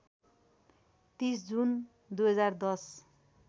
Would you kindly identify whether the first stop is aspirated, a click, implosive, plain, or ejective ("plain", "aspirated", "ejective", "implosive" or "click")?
plain